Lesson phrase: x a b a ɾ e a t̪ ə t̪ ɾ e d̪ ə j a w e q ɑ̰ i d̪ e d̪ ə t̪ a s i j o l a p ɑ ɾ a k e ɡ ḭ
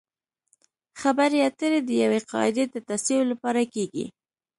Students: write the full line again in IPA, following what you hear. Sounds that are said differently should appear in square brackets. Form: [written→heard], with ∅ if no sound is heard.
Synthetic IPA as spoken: x a b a ɾ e a t̪ ə [t̪→∅] ɾ e d̪ ə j a w e q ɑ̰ [i→ɪ] d̪ e d̪ ə t̪ a s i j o l a p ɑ ɾ a k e ɡ ḭ